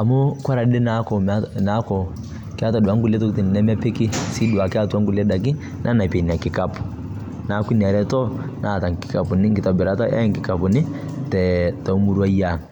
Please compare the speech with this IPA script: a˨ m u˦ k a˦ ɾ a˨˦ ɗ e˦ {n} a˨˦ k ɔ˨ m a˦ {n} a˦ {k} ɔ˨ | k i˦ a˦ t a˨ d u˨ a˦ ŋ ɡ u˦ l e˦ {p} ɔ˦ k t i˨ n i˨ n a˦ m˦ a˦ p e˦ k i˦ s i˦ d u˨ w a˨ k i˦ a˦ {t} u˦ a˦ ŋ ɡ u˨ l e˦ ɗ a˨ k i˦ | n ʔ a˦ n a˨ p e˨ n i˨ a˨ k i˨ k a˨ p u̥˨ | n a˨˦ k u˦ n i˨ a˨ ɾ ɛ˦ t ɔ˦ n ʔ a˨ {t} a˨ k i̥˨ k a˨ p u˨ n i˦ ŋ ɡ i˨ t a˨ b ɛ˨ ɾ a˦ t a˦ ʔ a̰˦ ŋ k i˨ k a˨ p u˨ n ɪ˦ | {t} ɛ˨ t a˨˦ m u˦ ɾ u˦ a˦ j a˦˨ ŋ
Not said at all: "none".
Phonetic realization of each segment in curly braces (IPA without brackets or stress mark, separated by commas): n, n, k, t, t, t, t